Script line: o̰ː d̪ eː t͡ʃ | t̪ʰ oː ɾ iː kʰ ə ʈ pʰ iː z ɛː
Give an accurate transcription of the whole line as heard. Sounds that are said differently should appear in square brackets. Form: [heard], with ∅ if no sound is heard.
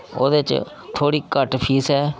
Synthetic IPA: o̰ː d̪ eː t͡ʃ | t̪ʰ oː [ɽ] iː [k] ə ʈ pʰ iː [s] ɛː